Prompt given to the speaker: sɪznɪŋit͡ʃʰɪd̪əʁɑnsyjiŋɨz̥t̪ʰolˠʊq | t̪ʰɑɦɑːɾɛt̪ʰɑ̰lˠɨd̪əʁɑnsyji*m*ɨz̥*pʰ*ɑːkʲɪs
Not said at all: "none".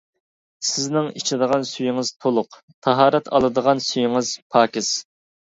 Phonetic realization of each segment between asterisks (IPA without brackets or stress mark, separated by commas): ŋ, pʰ